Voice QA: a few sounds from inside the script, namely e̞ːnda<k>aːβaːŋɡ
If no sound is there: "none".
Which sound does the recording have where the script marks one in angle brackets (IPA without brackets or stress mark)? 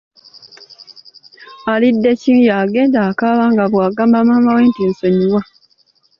k